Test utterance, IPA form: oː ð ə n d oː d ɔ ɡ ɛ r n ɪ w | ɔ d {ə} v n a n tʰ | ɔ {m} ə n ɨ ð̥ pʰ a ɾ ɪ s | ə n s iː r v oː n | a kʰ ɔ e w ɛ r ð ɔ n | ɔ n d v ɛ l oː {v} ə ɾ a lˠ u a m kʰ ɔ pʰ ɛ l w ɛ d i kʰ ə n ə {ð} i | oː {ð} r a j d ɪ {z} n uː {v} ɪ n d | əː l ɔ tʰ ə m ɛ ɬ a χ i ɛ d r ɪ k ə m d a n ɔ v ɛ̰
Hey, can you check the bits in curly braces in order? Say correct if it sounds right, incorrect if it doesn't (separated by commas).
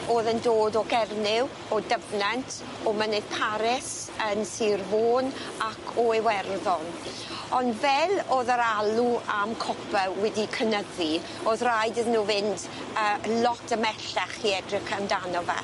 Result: correct, correct, incorrect, correct, correct, incorrect, correct